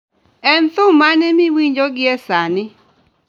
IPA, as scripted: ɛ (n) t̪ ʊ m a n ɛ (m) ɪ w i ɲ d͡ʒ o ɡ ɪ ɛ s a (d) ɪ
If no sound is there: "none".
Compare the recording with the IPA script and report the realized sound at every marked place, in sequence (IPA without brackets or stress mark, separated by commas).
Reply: n, m, n